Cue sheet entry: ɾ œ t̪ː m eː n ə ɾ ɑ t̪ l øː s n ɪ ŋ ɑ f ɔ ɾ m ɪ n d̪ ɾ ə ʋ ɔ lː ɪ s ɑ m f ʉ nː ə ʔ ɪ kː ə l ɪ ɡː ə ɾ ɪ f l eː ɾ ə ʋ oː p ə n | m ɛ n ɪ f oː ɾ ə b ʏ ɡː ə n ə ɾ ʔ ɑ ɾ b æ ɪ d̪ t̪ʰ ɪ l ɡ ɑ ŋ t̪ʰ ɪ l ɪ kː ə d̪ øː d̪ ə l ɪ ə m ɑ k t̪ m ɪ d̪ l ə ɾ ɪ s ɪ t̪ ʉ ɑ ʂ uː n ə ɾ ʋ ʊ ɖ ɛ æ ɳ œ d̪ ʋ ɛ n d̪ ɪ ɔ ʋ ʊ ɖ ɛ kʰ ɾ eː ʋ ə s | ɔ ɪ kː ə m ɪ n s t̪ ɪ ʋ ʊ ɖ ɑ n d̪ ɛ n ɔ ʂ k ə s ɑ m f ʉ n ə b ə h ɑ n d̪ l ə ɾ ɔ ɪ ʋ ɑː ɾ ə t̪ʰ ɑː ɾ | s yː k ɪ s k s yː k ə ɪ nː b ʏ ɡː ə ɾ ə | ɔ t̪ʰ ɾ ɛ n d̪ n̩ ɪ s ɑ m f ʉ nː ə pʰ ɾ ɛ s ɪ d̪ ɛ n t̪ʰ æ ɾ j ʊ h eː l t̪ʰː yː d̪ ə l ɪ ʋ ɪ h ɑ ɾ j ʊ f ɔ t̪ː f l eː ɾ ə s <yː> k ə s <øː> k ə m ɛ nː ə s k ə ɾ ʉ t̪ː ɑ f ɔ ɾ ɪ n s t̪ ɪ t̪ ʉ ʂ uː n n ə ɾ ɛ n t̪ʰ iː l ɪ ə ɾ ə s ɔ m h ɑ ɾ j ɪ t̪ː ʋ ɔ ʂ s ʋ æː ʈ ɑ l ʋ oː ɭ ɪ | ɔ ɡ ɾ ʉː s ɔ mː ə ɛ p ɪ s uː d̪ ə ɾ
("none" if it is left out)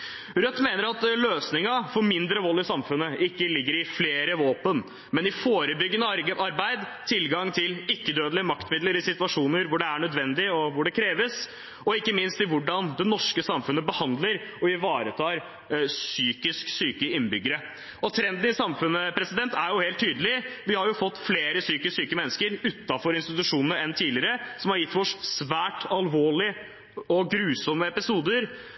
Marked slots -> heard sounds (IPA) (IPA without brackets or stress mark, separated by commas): yː, yː